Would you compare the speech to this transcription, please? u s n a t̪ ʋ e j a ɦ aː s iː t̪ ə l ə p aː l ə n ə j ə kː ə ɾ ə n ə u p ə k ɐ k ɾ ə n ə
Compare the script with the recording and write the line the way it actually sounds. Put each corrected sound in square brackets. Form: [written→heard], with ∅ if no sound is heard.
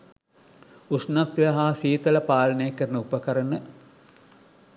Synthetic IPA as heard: u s n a t̪ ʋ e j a ɦ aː s iː t̪ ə l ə p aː l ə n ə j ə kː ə ɾ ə n ə u p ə k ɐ [k→∅] ɾ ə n ə